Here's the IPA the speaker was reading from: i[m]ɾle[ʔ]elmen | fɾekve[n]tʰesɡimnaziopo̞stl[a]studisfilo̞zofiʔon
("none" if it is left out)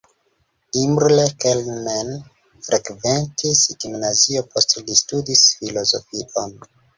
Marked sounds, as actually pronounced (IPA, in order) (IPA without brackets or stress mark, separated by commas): m, k, n, i